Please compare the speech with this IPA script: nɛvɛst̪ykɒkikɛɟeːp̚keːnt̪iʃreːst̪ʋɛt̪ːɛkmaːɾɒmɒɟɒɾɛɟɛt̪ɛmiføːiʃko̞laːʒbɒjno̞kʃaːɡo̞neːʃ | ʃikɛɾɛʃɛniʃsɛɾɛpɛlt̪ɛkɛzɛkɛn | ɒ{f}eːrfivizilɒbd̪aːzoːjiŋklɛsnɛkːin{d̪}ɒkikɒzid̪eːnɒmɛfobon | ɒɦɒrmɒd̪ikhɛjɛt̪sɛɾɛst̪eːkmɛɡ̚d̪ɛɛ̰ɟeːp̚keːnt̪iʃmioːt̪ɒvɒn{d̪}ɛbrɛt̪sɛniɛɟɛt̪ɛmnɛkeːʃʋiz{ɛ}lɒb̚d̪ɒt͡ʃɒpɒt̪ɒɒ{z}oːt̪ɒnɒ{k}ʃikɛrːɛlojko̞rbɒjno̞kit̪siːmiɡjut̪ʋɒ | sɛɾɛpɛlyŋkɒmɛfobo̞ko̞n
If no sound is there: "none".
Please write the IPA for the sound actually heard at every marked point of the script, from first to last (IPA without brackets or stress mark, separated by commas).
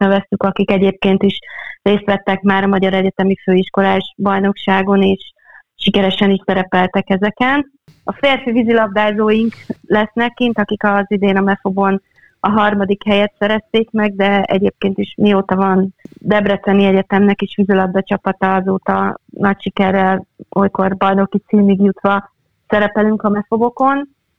f, t̪, d̪, i, z, c